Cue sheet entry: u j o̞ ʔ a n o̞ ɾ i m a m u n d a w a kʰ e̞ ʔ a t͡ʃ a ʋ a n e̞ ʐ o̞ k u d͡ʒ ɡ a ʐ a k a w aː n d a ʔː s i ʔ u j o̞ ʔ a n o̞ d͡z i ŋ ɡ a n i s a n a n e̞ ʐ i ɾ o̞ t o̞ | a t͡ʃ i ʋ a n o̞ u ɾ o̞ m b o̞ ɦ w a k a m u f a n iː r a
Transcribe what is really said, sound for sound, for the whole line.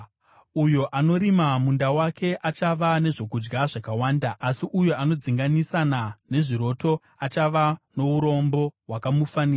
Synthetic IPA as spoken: u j o̞ ʔ a n o̞ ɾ i m a m u n d a w a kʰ e̞ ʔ a t͡ʃ a ʋ a n e̞ ʐ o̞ k u d͡ʒ ɡ a ʐ a k a w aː n d a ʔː s i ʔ u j o̞ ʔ a n o̞ d͡z i ŋ ɡ a n i s a n a n e̞ ʐ i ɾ o̞ t o̞ | a t͡ʃ a ʋ a n o̞ u ɾ o̞ m b o̞ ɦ w a k a m u f a n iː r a